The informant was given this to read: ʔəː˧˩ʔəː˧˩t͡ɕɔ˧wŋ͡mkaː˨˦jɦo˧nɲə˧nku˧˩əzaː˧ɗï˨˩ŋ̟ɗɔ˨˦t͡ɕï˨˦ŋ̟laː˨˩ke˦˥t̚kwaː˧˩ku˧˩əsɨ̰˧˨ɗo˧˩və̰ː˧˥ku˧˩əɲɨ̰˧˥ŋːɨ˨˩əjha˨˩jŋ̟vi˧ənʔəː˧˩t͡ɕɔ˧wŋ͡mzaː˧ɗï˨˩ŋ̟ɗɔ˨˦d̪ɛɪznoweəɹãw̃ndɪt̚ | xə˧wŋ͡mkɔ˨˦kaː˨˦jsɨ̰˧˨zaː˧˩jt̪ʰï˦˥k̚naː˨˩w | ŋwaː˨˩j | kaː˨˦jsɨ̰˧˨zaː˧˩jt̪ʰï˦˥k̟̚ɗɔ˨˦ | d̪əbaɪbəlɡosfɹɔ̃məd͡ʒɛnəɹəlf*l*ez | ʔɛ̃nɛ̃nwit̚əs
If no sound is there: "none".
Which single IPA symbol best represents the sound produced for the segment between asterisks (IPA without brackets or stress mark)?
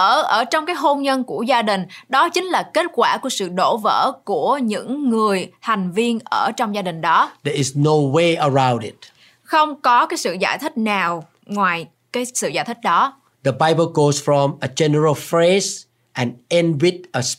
ɹ